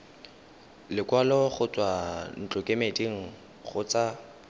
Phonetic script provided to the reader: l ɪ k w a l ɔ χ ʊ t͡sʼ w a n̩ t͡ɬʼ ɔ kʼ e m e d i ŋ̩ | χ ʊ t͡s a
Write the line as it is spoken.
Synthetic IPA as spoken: l ɪ k w a l ɔ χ ʊ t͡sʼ w a n̩ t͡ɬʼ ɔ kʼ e m e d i ŋ̩ | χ ʊ t͡s a